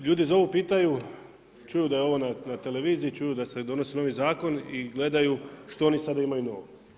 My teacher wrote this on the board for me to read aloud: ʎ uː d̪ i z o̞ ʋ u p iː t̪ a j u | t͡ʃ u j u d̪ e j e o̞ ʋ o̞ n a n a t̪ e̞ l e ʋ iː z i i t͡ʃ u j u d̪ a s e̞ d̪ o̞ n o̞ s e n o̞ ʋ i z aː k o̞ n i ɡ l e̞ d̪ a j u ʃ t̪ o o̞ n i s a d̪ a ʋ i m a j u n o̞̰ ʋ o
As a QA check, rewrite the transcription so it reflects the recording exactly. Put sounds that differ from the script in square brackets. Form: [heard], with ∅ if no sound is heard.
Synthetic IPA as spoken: ʎ uː d̪ i z o̞ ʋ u p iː t̪ a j u | t͡ʃ u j u d̪ [a] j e o̞ ʋ o̞ n a n a t̪ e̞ l e ʋ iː z i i t͡ʃ u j u d̪ a s e̞ d̪ o̞ n o̞ s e n o̞ ʋ i z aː k o̞ n i ɡ l e̞ d̪ a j u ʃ t̪ o o̞ n i s a d̪ a [∅] i m a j u n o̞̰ ʋ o